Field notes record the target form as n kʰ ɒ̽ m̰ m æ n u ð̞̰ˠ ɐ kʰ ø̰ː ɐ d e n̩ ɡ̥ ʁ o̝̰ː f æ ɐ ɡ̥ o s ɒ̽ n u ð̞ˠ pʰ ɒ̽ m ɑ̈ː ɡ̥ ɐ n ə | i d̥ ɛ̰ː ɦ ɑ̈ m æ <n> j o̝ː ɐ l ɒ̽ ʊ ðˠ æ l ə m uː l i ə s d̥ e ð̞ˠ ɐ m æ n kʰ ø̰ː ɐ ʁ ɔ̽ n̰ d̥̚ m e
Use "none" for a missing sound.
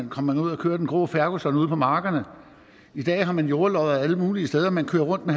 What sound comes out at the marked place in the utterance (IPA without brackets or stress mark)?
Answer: n